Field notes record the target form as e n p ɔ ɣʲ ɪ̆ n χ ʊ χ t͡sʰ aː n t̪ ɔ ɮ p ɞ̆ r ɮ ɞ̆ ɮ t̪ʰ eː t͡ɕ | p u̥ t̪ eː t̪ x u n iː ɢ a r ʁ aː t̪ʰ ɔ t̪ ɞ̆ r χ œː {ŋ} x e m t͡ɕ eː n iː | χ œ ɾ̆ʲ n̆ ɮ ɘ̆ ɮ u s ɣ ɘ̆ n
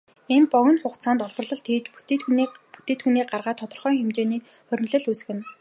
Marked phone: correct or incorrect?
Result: correct